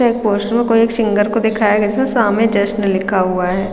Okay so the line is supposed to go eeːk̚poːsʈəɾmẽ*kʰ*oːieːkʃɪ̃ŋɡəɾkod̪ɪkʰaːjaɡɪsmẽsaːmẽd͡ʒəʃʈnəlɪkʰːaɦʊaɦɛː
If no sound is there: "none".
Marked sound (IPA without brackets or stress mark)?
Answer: k